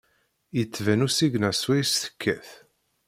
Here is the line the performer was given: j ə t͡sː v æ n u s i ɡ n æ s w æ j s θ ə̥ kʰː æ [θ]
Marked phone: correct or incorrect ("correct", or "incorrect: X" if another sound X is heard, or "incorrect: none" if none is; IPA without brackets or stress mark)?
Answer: correct